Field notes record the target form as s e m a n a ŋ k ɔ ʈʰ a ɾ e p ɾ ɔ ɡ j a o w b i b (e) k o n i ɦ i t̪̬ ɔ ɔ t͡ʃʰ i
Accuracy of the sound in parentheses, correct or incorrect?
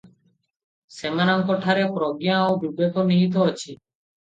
correct